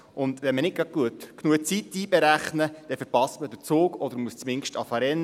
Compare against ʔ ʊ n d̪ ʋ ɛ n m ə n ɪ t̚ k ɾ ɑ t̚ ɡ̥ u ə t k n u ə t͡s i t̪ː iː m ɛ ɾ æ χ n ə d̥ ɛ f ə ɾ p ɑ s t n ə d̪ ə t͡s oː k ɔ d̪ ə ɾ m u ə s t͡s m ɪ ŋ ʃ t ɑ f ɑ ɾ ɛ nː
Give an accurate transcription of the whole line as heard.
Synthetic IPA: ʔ ʊ n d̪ ʋ ɛ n m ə n ɪ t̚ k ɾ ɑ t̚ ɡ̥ u ə t k n u ə t͡s i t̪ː iː b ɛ ɾ æ χ n ə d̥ ɛ f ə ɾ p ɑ s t m ə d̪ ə t͡s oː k ɔ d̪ ə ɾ m u ə s t͡s m ɪ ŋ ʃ t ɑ f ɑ ɾ ɛ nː